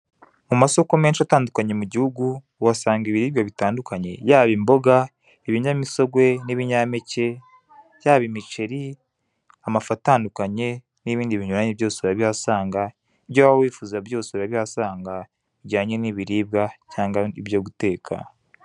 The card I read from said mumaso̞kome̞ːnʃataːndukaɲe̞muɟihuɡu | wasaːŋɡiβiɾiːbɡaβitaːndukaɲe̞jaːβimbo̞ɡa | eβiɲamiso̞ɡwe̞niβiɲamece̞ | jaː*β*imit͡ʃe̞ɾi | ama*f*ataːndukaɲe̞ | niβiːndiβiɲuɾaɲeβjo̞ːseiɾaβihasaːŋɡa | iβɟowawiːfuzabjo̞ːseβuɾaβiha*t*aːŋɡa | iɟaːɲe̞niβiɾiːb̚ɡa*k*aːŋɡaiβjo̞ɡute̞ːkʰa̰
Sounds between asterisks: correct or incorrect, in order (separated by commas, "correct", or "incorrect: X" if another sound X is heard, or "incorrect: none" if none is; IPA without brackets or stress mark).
correct, correct, incorrect: s, incorrect: c